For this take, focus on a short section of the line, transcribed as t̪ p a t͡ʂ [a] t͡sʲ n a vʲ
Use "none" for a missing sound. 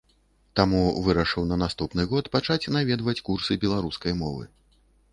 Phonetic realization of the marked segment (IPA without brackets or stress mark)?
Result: a